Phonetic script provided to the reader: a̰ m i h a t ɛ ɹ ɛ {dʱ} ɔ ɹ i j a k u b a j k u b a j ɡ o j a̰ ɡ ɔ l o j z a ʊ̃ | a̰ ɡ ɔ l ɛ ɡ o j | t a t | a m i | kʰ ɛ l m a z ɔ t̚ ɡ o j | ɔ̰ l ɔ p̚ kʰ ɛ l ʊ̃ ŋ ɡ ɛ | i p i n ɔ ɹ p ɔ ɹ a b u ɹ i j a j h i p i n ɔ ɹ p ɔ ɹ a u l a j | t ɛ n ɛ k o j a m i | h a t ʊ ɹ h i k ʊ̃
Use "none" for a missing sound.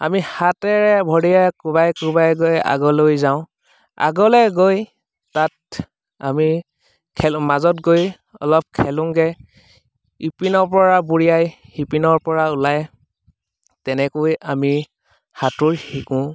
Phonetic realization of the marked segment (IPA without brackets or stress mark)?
bʱ